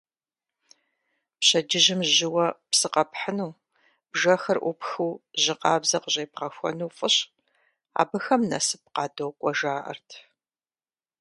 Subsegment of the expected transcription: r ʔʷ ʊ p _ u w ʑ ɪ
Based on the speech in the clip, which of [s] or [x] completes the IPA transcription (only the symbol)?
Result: x